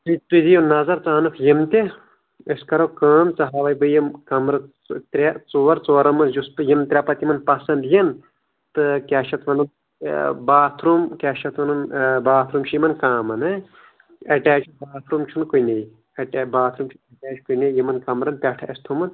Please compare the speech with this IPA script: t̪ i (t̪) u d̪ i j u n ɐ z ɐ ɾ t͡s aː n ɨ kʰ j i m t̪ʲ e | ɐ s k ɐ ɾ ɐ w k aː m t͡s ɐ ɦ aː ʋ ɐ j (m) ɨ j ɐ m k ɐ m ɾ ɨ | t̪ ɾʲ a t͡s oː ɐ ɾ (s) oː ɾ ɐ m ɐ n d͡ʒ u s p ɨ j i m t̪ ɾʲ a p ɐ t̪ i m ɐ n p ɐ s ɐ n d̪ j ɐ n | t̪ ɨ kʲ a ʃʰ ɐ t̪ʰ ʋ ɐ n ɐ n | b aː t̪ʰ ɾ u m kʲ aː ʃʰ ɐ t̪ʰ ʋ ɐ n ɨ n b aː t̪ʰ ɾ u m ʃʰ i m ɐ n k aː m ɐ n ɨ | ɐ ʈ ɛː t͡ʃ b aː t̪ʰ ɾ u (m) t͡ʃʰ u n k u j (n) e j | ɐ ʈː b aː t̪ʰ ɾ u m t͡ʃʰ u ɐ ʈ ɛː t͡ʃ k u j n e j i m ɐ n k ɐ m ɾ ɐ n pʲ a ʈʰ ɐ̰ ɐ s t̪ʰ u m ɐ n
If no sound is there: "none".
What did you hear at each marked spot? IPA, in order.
t̪, b, t͡s, m, n

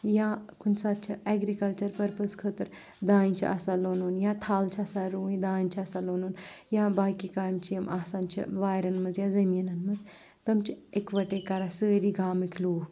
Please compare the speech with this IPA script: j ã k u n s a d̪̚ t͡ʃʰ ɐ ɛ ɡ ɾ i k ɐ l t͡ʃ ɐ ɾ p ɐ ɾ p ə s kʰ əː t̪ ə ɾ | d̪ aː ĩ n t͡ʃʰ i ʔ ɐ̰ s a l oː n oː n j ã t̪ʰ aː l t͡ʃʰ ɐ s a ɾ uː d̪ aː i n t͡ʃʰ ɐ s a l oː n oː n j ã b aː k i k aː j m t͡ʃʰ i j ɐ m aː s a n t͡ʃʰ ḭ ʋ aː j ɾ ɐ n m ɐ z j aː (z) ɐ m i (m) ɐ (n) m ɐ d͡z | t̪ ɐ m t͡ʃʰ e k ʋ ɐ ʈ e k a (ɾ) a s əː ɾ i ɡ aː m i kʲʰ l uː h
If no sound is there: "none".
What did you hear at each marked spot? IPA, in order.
z, n, n, ɾ

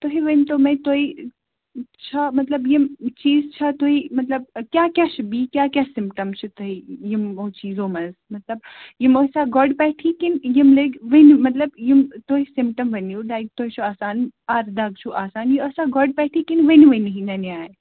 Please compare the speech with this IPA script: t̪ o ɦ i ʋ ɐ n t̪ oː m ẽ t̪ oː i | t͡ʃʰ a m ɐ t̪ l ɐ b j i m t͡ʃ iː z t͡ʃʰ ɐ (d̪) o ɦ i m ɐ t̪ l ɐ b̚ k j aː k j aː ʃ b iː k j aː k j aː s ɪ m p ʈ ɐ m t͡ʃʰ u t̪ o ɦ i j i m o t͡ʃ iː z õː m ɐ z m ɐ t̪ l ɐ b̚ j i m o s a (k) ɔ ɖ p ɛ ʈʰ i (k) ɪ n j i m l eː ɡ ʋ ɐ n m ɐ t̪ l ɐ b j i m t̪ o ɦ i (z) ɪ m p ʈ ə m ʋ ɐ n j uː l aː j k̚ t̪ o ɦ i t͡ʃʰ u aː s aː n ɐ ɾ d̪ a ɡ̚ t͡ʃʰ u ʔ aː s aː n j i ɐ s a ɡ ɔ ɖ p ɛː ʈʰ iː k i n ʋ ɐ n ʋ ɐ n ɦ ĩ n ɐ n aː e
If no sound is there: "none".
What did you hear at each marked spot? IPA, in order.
t̪, ɡ, k, s

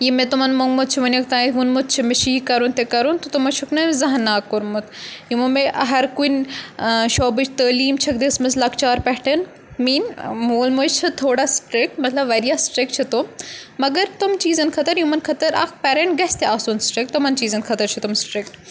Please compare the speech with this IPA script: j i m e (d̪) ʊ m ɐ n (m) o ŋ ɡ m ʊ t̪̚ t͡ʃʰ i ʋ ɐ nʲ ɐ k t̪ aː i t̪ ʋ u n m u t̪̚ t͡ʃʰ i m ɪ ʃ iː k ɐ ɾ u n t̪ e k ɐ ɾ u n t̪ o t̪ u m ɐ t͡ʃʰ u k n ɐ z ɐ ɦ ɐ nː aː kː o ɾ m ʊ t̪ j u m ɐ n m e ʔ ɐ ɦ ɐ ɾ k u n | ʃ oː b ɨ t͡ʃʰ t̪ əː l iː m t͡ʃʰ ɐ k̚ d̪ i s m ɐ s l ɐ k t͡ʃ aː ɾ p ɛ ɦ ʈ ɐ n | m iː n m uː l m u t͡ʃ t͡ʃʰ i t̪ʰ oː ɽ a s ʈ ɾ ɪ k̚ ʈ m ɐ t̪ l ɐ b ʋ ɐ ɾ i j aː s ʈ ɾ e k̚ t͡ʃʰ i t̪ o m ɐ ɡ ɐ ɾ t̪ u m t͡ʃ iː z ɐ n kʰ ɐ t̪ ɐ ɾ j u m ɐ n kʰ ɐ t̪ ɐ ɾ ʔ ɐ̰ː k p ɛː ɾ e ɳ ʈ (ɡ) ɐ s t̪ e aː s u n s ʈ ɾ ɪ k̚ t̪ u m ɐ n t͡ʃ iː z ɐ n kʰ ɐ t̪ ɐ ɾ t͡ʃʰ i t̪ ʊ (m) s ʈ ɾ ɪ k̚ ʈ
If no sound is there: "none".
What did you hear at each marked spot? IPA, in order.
t̪, m, ɡ, m

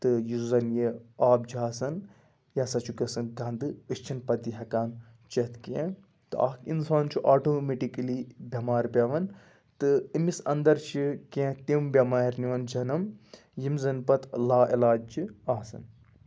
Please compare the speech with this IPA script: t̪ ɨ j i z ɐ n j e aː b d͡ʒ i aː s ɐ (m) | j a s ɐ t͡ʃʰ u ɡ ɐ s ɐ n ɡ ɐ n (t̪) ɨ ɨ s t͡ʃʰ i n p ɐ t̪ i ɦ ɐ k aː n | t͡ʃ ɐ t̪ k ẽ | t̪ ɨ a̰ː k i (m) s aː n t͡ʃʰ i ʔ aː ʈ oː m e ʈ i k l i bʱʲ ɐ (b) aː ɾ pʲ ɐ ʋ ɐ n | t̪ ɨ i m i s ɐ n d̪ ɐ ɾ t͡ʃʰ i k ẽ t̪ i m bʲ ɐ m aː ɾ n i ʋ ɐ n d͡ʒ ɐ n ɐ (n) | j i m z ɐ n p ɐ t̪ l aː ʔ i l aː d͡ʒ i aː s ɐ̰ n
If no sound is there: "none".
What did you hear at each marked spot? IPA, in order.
n, d̪, n, m, m

